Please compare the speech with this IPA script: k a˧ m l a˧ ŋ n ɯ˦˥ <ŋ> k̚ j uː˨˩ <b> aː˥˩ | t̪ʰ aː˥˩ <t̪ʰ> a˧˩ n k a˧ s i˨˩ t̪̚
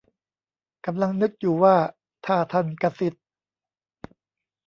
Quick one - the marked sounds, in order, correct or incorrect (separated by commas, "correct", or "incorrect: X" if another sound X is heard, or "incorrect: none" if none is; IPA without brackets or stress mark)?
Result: incorrect: none, incorrect: w, correct